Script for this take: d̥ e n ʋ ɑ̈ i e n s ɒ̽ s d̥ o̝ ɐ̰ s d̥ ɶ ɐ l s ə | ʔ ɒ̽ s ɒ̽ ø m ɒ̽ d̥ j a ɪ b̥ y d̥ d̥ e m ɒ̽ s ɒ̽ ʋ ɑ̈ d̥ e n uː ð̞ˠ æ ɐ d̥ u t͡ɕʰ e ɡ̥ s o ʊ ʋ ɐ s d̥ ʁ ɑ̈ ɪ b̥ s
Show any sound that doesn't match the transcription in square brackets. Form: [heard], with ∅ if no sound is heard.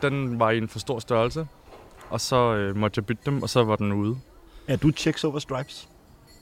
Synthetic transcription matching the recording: d̥ e n ʋ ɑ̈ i e n [f] ɒ̽ s d̥ o̝ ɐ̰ s d̥ ɶ ɐ l s ə | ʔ ɒ̽ s ɒ̽ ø m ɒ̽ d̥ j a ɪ b̥ y d̥ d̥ e m ɒ̽ s ɒ̽ ʋ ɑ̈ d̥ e n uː ð̞ˠ æ ɐ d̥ u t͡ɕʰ e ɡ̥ s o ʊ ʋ ɐ s d̥ ʁ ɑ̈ ɪ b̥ s